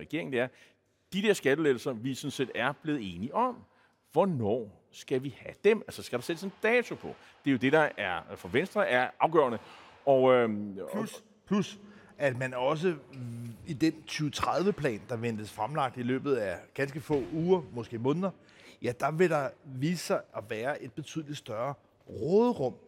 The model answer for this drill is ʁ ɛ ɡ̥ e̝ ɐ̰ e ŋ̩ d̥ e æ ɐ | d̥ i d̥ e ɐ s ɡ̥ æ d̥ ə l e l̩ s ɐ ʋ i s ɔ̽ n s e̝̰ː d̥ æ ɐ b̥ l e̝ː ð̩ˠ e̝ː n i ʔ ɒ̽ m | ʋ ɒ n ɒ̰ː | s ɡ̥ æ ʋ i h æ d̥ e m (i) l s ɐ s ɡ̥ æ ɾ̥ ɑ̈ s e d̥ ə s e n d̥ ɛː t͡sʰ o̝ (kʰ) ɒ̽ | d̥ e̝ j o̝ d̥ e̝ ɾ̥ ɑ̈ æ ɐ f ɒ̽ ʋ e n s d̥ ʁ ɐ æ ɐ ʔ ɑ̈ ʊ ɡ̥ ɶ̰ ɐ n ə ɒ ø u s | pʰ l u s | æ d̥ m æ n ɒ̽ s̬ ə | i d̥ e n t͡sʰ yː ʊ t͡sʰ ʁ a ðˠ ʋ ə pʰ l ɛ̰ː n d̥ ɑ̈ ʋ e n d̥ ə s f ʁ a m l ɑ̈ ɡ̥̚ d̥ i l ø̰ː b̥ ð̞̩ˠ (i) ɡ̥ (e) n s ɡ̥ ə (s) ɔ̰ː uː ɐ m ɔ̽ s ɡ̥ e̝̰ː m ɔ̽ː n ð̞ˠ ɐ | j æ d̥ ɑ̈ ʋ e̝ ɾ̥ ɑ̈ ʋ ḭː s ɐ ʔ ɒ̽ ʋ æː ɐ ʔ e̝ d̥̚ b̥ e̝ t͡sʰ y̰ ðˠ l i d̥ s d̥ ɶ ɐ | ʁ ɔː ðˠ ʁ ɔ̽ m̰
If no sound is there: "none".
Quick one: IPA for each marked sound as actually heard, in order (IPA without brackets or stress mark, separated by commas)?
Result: æ, pʰ, æ, æ, f